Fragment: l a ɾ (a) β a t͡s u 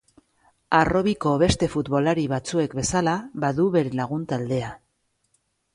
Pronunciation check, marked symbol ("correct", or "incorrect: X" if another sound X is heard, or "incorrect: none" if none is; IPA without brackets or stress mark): incorrect: i